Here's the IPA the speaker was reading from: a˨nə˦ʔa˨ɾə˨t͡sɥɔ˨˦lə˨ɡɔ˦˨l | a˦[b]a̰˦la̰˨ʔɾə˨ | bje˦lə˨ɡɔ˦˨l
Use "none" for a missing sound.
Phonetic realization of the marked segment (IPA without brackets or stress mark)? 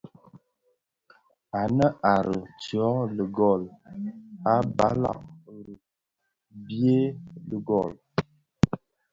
b